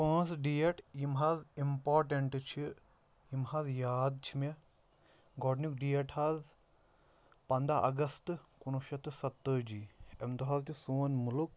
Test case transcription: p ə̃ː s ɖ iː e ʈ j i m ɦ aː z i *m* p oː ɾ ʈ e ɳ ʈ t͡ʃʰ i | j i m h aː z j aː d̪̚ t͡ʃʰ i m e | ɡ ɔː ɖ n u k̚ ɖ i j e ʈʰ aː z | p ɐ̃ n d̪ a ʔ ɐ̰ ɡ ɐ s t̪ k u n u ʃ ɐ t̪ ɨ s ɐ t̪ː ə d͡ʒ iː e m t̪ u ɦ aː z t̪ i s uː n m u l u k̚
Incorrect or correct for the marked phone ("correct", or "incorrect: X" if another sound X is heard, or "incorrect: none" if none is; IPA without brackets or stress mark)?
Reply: correct